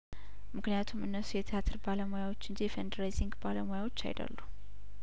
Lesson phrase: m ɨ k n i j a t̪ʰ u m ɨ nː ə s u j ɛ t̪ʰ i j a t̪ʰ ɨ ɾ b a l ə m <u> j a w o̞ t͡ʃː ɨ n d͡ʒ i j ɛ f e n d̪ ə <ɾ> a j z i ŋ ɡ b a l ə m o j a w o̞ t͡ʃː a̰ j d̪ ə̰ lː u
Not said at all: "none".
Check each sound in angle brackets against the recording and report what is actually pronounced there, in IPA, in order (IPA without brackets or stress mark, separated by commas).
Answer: o, ɾ